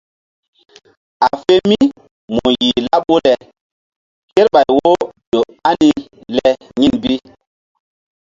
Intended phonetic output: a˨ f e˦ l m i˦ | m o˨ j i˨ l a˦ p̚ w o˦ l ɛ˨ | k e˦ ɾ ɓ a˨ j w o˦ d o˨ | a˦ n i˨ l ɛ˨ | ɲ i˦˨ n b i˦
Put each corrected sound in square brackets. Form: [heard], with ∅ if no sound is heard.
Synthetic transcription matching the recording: a˨ f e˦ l m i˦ | m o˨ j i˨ l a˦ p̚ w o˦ l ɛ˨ | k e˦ ɾ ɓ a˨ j w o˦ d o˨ | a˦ n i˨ l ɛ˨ | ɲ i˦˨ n b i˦